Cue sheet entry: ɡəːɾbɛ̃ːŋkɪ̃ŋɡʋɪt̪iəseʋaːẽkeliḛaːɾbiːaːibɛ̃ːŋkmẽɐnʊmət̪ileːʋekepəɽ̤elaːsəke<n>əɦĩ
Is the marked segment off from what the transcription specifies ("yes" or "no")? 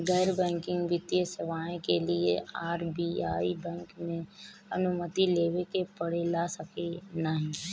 no